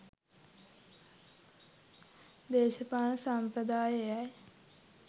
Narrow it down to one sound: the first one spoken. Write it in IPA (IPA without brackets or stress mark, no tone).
d̪